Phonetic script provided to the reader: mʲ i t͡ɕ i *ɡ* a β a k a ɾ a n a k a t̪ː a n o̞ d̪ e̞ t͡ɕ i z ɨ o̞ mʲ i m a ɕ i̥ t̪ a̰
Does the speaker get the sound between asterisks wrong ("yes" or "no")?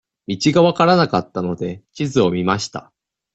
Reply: no